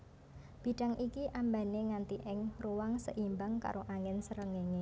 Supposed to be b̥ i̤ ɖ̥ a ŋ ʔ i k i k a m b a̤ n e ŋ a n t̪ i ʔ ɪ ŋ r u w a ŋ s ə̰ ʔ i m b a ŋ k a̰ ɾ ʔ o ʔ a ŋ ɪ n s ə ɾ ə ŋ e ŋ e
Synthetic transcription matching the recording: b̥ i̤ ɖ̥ a ŋ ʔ i k i ʔ a m b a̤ n e ŋ a n t̪ i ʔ ɪ ŋ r u w a ŋ s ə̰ ʔ i m b a ŋ k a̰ ɾ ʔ o ʔ a ŋ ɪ n s ə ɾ ə ŋ e ŋ e